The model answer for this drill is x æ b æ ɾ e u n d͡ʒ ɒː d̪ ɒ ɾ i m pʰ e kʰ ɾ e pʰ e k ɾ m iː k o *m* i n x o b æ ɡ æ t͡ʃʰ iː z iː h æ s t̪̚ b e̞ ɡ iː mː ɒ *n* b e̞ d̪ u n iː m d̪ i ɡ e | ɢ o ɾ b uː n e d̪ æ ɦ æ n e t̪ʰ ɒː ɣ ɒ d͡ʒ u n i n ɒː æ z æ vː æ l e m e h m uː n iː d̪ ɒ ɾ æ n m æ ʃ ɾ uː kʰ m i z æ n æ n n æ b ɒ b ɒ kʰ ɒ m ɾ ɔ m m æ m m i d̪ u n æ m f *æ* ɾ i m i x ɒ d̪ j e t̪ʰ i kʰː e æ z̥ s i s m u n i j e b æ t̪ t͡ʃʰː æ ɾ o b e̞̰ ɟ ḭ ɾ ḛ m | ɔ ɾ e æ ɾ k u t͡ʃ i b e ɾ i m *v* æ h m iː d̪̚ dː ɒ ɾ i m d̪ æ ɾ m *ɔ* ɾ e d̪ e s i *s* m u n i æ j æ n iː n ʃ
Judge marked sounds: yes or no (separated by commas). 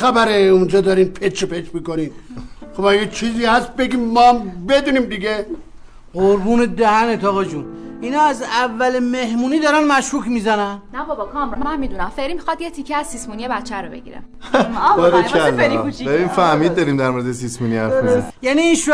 no, no, no, no, no, yes